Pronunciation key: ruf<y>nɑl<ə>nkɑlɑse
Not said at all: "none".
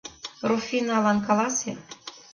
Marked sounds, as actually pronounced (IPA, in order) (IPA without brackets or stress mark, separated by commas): i, ɑ